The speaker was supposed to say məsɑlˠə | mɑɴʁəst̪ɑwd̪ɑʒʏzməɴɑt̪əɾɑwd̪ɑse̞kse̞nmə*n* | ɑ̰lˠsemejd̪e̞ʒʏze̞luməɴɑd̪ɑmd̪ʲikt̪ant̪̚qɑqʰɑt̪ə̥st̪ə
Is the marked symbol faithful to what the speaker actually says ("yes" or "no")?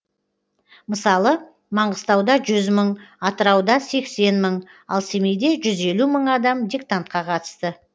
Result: no